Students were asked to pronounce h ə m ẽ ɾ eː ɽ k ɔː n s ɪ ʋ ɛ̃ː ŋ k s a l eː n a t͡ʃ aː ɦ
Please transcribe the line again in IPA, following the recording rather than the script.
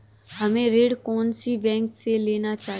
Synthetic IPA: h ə m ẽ ɾ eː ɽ k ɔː n s i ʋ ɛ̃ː ŋ k s e l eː n a t͡ʃ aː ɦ